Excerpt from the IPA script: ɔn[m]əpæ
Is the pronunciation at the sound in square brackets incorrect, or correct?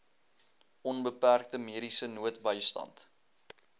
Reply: incorrect